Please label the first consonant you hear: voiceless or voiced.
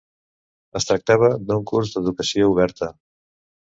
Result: voiceless